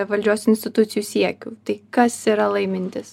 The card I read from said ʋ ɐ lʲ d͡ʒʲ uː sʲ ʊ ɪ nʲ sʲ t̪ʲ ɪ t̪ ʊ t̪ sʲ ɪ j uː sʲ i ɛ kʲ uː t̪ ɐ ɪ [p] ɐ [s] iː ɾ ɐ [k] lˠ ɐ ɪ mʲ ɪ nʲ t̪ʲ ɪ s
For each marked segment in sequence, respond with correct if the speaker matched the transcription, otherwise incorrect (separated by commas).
incorrect, correct, incorrect